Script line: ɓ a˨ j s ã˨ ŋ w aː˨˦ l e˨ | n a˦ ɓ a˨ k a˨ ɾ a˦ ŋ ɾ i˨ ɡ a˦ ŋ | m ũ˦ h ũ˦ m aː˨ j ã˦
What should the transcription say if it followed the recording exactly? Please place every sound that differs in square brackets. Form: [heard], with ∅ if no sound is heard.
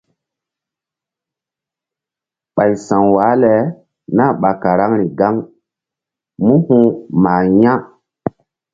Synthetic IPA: ɓ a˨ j s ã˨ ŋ w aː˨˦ l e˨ | n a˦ ɓ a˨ k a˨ ɾ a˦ ŋ ɾ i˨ ɡ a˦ ŋ | m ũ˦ h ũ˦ m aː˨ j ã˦